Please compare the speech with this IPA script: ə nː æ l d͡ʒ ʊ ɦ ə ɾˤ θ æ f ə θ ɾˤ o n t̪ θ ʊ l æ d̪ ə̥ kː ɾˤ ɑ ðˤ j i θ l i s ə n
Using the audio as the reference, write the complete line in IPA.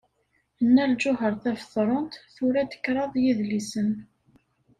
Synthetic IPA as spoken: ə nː æ l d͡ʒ ʊ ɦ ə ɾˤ θ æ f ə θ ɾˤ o n t̪ θ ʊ ɾ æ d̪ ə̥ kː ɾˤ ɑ ðˤ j i ð l i s ə n